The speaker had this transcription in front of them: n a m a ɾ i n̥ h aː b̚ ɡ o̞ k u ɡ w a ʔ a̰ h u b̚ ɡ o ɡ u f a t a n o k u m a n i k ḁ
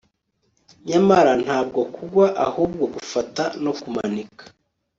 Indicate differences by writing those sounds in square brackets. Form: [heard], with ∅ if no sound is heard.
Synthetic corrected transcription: [ɲ] a m a ɾ [a] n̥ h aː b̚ ɡ o̞ k u ɡ w a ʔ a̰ h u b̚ ɡ o ɡ u f a t a n o k u m a n i k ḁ